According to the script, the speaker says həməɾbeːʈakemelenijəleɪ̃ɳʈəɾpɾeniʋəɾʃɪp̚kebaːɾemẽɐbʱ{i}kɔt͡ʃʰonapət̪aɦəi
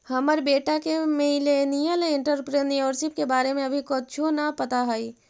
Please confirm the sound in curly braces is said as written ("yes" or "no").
yes